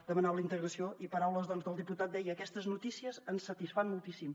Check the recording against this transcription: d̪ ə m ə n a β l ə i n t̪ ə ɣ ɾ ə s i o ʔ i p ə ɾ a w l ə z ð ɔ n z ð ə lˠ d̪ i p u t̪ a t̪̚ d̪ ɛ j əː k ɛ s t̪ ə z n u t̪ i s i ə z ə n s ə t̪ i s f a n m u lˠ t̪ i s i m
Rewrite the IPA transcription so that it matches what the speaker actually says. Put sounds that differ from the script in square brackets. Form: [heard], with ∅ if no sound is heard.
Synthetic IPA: d̪ ə m ə n a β l ə i n t̪ ə ɣ ɾ ə s i o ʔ i p ə ɾ a w l ə z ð ɔ n z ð ə lˠ d̪ i p u t̪ a t̪̚ d̪ ɛ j əː k ɛ s t̪ ə z n u t̪ i s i ə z ə n s ə t̪ i s f a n m u lˠ t̪ i s i m